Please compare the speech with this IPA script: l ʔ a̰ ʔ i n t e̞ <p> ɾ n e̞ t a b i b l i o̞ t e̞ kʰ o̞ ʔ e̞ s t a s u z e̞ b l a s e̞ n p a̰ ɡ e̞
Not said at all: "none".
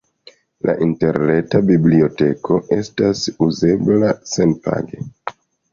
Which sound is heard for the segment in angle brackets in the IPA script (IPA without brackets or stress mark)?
none